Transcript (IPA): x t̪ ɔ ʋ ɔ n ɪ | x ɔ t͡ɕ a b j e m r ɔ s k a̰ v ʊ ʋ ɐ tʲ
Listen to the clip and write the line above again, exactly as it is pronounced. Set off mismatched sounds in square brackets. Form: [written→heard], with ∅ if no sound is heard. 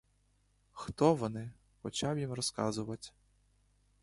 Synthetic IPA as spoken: x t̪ ɔ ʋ ɔ n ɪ | x ɔ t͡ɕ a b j [e→i] m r ɔ s k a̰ [v→z] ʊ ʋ ɐ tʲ